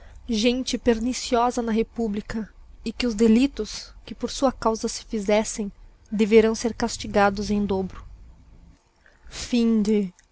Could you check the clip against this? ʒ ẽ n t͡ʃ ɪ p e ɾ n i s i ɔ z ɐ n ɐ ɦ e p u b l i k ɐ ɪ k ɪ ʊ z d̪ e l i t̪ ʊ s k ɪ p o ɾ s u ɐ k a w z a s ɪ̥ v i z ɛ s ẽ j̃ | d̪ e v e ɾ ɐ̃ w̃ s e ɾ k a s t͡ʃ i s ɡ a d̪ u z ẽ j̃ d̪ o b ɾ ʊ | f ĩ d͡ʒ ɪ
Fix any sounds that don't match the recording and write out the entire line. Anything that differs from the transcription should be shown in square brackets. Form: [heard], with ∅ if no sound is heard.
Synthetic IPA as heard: ʒ ẽ n t͡ʃ ɪ p e ɾ n i s i ɔ z ɐ n ɐ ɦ e p u b l i k ɐ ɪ k ɪ ʊ z d̪ e l i t̪ ʊ s k ɪ p o ɾ s u ɐ k a w z [ɐ] s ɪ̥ [f] i z ɛ s ẽ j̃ | d̪ e v e ɾ ɐ̃ w̃ s e ɾ k a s t͡ʃ i [∅] ɡ a d̪ [ʊ] z ẽ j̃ d̪ o b ɾ ʊ | f ĩ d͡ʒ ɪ